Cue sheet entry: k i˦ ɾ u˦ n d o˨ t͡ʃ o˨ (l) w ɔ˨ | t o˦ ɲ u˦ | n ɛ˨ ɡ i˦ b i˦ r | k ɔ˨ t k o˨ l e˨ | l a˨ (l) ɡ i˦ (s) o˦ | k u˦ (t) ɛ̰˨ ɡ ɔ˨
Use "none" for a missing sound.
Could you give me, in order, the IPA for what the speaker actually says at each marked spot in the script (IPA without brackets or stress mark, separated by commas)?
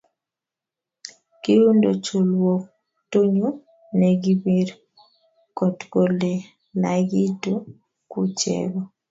l, none, t, t͡ʃ